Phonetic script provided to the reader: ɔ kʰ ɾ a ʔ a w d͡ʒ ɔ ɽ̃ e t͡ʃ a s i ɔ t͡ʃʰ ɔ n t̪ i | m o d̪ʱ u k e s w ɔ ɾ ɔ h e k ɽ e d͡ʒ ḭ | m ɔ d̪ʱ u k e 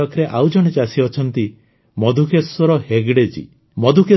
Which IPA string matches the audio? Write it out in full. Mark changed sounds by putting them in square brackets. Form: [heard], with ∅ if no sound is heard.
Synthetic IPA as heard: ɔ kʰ ɾ [e] ʔ a w d͡ʒ ɔ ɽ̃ e t͡ʃ a s i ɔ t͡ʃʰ ɔ n t̪ i | m [ɔ] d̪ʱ u k e s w ɔ ɾ ɔ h e [ɡ] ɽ e d͡ʒ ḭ | m ɔ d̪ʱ u k e